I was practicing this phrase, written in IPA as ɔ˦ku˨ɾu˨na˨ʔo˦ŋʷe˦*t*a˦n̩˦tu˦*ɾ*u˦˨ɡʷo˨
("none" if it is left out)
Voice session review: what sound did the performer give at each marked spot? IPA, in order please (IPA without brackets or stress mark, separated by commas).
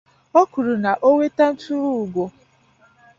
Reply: t, ɾ